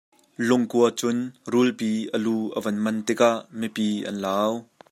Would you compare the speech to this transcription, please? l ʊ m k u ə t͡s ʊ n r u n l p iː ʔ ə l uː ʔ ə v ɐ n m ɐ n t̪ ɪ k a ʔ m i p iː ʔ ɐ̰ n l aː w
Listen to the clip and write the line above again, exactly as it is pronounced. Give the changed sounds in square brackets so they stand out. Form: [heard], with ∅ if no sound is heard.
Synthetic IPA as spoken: l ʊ [ŋ] k u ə t͡s ʊ n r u [∅] l p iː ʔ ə l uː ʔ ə v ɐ n m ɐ n t̪ ɪ k a ʔ m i p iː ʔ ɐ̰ n l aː w